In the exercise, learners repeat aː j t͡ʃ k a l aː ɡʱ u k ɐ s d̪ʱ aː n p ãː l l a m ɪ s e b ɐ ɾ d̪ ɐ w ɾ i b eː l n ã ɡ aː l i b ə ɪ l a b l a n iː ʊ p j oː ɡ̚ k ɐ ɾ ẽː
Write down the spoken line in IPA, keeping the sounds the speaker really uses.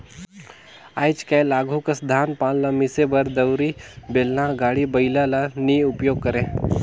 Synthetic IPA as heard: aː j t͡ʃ k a l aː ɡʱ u k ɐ s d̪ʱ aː n p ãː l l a m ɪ s e b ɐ ɾ d̪ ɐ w ɾ i b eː l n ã ɡ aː ɽ i b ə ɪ l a l a n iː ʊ p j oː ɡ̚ k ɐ ɾ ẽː

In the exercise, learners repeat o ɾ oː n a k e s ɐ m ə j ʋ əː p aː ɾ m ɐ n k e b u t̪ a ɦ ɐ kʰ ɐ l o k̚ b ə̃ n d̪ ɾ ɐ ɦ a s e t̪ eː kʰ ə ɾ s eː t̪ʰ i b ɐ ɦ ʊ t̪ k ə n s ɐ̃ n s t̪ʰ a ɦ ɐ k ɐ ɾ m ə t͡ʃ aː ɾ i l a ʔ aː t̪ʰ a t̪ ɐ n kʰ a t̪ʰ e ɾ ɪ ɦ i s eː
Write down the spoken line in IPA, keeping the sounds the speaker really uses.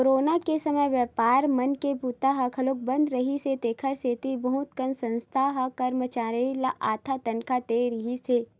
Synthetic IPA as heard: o ɾ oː n a k e s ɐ m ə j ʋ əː p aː ɾ m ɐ n k e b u t̪ a ɦ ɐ kʰ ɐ l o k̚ b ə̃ n d̪ ɾ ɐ ɦ i s e t̪ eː kʰ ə ɾ s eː t̪ i b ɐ ɦ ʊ t̪ k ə n s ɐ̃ n s t̪ʰ a ɦ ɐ k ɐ ɾ m ə t͡ʃ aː ɾ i l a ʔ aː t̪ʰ a t̪ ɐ n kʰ a t̪ e ɾ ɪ ɦ i s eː

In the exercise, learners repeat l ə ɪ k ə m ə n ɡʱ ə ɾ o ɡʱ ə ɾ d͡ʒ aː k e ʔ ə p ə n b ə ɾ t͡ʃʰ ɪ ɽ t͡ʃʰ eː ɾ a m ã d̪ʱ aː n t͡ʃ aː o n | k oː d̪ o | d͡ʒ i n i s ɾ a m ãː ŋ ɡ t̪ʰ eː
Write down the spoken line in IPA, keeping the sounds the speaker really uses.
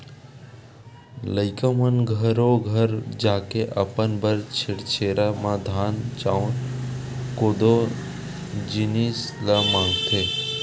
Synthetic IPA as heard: l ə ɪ k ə m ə n ɡʱ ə ɾ o ɡʱ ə ɾ d͡ʒ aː k e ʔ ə p ə n b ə ɾ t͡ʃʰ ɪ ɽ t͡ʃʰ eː ɾ a m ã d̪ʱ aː n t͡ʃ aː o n | k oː d̪ o | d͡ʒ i n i s l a m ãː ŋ ɡ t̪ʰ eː

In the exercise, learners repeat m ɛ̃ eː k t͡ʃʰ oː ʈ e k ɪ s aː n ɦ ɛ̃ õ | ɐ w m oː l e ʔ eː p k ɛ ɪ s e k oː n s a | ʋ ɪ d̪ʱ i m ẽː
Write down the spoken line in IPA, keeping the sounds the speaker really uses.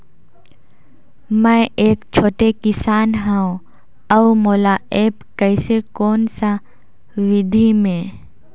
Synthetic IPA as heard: m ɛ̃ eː k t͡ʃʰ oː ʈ e k ɪ s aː n ɦ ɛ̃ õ | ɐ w m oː l a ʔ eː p k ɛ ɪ s e k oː n s a | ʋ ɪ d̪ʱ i m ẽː

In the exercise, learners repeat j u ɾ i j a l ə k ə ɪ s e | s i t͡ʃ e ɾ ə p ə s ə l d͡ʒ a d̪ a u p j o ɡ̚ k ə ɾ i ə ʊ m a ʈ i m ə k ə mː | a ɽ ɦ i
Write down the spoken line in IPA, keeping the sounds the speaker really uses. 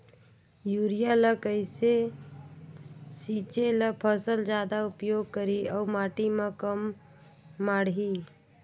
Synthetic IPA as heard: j u ɾ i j a l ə k ə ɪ s e | s i t͡ʃ e l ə pʰ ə s ə l d͡ʒ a d̪ a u p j o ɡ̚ k ə ɾ i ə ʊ m a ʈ i m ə k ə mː | a ɽ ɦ i

